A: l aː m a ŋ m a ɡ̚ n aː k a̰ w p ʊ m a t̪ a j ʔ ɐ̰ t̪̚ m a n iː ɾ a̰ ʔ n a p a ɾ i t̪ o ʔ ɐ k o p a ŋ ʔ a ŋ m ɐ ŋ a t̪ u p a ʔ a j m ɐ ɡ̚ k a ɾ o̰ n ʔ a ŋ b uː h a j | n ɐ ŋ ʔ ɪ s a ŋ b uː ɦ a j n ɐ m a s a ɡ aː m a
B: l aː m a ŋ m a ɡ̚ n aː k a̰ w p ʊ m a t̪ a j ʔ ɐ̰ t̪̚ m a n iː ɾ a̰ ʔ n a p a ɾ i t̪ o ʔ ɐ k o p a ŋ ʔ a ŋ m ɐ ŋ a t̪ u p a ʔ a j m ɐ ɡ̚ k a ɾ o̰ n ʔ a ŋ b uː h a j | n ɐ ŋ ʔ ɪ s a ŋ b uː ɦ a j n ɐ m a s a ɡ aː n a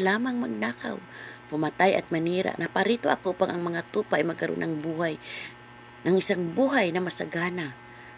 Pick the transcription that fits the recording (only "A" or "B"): B